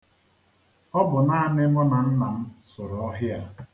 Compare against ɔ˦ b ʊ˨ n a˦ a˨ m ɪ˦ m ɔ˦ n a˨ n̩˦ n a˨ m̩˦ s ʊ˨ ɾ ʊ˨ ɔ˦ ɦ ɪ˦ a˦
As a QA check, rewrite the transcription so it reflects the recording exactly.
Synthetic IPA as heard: ɔ˦ b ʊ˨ n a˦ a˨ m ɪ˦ m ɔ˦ n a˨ n̩˦ n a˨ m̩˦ s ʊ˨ ɾ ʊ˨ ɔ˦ ɦ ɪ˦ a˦